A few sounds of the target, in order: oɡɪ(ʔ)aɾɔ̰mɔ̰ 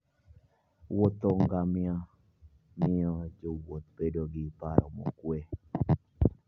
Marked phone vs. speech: incorrect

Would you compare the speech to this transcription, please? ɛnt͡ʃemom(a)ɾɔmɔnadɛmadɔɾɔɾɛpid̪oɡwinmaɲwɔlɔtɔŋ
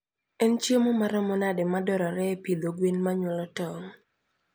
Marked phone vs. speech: correct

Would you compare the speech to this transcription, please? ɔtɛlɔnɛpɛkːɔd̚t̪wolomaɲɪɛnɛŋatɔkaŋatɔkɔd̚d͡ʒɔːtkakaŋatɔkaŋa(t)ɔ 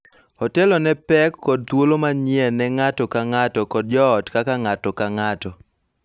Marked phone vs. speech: correct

